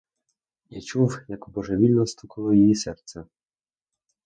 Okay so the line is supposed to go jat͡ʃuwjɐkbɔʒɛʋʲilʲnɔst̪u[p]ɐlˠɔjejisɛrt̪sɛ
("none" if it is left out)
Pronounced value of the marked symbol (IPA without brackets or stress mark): k